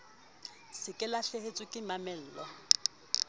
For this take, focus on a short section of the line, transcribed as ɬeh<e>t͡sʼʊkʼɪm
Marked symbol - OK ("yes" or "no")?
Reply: yes